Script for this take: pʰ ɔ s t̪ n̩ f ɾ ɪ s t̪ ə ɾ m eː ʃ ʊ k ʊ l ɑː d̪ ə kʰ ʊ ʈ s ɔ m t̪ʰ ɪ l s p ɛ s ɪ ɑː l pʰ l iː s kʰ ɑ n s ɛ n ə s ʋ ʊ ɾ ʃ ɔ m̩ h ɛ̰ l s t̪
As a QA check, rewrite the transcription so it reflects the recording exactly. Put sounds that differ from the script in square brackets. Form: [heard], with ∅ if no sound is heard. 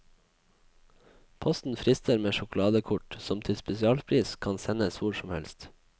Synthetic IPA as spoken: pʰ ɔ s t̪ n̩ f ɾ ɪ s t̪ ə ɾ m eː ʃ ʊ k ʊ l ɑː d̪ ə kʰ ʊ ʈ s ɔ m t̪ʰ ɪ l s p ɛ s ɪ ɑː l pʰ [ɾ] iː s kʰ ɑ n s ɛ n ə s ʋ ʊ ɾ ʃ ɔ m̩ h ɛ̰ l s t̪